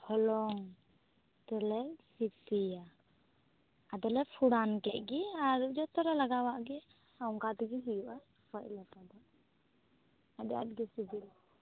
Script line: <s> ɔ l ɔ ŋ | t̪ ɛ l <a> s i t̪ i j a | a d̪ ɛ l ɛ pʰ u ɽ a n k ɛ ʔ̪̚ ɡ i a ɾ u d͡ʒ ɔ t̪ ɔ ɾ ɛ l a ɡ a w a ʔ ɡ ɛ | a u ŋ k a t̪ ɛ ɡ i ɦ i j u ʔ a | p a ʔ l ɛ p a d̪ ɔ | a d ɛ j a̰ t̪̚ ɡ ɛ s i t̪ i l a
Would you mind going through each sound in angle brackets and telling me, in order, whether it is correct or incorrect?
incorrect: h, incorrect: ɛ

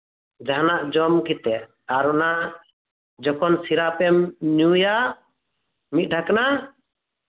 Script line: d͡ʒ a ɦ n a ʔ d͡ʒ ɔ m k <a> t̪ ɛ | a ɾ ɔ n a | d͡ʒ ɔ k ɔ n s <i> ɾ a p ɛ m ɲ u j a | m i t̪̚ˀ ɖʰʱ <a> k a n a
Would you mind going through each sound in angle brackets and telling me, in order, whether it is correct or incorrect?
incorrect: i, correct, correct

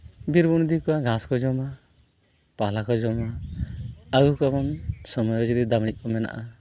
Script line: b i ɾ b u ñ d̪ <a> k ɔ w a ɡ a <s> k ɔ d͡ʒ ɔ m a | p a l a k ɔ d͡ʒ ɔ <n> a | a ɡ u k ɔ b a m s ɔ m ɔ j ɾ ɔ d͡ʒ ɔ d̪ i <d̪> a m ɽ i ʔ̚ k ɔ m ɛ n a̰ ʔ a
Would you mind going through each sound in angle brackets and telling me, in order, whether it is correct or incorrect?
incorrect: i, correct, incorrect: m, correct

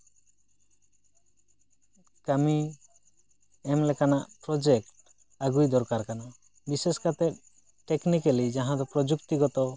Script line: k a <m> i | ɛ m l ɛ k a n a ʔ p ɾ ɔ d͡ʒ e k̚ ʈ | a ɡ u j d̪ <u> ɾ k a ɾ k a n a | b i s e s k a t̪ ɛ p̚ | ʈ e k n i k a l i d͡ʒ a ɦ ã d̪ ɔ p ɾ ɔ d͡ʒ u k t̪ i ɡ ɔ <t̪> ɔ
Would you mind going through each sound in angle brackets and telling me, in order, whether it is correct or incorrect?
correct, incorrect: ɔ, correct

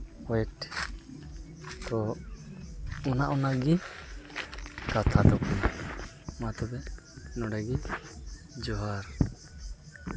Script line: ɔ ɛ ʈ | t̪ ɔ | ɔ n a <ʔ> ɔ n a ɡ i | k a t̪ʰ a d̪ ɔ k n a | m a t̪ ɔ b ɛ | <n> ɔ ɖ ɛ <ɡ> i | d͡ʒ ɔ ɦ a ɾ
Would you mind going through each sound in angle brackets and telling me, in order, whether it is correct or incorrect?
correct, correct, correct

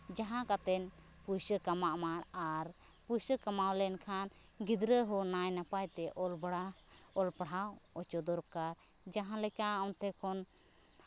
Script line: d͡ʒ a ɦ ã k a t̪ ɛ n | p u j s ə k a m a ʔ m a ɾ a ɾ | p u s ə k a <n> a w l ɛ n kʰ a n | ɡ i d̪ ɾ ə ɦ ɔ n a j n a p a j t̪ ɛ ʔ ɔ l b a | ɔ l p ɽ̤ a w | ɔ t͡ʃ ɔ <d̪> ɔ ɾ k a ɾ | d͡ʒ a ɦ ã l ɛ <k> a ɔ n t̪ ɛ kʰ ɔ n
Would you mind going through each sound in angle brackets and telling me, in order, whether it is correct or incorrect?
incorrect: m, correct, correct

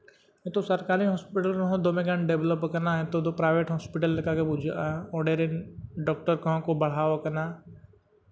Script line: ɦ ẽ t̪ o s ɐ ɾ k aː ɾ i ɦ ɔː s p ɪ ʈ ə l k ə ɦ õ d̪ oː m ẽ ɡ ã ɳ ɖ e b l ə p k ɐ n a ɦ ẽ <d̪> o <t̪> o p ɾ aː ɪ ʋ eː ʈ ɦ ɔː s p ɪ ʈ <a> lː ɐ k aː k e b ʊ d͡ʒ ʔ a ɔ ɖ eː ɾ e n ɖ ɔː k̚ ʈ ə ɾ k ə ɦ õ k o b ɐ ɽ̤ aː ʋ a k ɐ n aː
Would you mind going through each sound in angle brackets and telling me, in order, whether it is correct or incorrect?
incorrect: t̪, incorrect: d̪, incorrect: ə

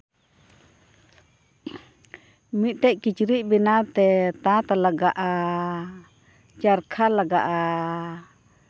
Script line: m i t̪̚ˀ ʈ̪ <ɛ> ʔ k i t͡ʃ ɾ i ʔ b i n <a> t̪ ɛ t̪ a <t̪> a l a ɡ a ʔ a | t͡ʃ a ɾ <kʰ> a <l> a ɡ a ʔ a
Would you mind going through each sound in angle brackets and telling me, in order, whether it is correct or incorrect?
correct, correct, correct, correct, correct

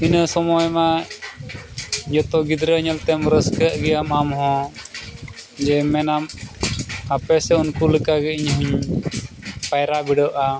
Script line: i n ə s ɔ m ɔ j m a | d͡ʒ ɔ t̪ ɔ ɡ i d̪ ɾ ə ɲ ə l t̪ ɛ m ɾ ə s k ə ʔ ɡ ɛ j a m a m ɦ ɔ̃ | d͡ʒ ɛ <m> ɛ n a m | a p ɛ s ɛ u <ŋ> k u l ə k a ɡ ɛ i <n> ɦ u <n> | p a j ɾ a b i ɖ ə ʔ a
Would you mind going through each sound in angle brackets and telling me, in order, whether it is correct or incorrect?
correct, incorrect: n, incorrect: ɲ, incorrect: ɲ

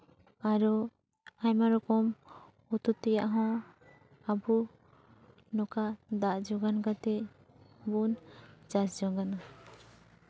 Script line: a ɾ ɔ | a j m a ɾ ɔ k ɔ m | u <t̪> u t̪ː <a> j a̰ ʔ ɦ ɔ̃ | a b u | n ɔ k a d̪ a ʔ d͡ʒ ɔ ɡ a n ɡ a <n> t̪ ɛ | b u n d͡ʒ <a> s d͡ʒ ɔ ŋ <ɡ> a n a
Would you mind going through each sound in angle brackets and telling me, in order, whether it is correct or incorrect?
correct, incorrect: ɛ, incorrect: none, correct, correct

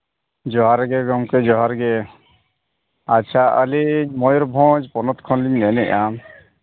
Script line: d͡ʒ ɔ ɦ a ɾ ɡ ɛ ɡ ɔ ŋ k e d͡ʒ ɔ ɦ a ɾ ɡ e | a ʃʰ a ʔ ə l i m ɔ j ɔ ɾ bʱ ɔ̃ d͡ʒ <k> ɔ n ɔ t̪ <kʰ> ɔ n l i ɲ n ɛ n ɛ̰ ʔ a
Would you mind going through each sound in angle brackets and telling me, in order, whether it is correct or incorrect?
incorrect: p, correct

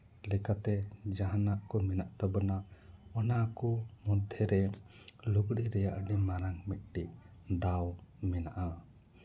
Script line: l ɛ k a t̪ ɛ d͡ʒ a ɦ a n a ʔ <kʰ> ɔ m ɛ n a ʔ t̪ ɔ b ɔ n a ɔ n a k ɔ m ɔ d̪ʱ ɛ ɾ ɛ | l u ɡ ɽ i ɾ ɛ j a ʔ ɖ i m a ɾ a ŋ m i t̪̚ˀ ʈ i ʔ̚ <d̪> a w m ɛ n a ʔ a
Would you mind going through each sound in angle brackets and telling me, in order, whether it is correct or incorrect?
incorrect: k, correct

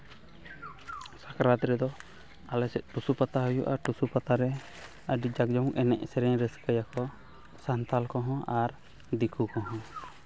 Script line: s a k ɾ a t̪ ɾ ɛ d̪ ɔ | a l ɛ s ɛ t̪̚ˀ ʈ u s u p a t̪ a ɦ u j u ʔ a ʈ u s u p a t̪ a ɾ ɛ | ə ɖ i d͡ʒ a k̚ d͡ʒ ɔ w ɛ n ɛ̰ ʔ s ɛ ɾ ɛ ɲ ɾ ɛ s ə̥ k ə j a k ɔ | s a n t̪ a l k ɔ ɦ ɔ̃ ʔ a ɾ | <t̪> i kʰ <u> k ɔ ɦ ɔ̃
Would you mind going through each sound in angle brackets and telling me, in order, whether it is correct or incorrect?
incorrect: d̪, correct

